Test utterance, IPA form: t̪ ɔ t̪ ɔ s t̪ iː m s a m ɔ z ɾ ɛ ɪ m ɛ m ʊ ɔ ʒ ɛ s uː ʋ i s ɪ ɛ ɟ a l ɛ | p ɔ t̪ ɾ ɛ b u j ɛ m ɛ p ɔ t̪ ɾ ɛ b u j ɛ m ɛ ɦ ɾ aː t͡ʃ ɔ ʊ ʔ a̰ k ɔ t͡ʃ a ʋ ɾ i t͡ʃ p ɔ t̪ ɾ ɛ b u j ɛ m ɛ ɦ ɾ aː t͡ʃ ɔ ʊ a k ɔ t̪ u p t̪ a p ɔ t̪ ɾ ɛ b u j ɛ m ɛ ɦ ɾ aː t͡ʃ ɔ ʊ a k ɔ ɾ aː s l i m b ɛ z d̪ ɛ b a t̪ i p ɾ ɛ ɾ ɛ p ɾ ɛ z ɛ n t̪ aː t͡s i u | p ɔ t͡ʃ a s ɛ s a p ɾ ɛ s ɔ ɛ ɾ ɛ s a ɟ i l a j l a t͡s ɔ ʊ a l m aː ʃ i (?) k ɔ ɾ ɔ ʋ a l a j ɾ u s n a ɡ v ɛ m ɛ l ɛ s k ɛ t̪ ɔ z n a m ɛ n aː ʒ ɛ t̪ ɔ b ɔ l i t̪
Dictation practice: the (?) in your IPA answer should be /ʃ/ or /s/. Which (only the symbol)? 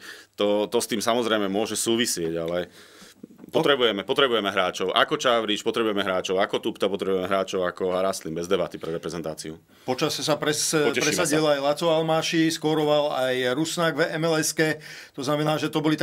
s